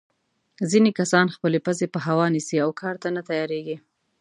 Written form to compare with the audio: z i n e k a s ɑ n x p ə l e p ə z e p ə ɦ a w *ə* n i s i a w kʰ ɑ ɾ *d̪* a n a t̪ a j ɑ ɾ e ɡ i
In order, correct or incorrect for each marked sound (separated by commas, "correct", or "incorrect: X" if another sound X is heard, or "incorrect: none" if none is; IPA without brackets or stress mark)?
incorrect: ɑ, incorrect: t̪